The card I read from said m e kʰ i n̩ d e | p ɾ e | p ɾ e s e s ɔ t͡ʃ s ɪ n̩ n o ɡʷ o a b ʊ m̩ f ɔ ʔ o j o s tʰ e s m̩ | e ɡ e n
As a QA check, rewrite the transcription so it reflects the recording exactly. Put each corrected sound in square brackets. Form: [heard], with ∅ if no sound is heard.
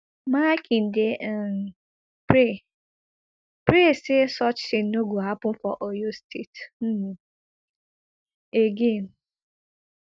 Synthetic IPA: m [a] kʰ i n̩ d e | p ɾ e | p ɾ e s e s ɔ t͡ʃ s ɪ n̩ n o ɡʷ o a [p] ʊ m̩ f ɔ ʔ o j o s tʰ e [t] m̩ | e ɡ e n